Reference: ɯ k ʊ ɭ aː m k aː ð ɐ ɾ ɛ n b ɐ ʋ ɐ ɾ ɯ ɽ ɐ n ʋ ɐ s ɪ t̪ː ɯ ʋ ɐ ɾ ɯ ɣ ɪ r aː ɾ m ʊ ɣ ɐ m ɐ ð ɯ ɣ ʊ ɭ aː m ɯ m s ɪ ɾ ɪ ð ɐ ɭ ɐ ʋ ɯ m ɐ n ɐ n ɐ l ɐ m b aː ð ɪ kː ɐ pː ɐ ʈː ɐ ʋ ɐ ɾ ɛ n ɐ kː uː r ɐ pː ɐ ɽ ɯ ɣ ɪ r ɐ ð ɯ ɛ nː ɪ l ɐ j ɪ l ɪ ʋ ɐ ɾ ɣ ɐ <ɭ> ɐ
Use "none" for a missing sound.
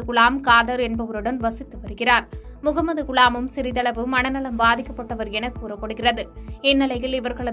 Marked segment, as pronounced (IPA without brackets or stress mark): ɭ